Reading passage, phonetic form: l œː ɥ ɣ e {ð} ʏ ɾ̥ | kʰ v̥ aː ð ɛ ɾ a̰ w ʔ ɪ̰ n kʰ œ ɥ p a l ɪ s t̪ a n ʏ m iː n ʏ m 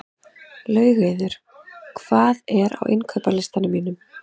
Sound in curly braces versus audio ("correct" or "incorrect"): correct